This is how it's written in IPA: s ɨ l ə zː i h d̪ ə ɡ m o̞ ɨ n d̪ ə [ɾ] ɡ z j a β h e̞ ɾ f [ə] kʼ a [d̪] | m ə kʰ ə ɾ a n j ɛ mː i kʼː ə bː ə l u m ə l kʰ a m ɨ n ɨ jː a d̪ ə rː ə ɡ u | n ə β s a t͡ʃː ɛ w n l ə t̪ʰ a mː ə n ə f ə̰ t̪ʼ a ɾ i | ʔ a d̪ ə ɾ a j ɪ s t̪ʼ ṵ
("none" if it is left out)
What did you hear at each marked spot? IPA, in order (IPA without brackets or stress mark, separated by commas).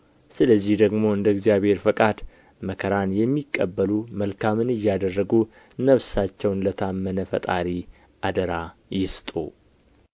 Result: none, ə, d̪